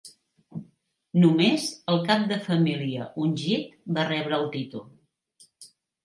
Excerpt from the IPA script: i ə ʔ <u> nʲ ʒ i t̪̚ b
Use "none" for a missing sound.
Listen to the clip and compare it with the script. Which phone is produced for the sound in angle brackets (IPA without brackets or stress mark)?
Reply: u